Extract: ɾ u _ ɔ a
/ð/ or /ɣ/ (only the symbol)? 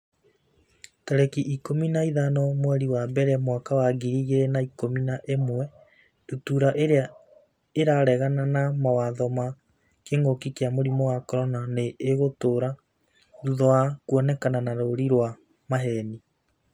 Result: ð